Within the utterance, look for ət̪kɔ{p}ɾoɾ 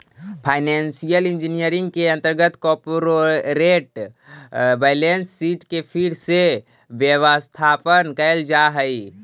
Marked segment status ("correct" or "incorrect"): correct